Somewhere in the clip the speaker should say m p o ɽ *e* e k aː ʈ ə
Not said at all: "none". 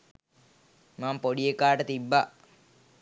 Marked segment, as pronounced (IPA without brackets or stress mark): i